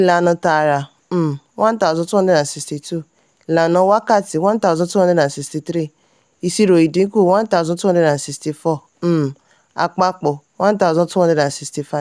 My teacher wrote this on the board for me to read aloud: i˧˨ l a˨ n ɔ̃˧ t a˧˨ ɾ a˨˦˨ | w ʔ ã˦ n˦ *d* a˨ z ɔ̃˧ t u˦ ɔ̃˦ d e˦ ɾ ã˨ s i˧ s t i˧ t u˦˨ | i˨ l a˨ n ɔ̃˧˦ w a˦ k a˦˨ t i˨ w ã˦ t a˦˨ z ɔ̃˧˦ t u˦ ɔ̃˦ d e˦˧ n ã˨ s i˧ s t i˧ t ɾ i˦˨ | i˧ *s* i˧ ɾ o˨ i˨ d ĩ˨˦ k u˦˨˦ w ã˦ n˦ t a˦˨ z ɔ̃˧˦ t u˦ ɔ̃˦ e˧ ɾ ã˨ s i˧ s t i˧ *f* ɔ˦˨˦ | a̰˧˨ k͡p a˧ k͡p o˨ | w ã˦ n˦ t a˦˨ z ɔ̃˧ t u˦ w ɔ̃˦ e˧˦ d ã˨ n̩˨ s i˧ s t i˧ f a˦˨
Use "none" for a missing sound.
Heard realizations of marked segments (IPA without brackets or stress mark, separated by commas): t, s, f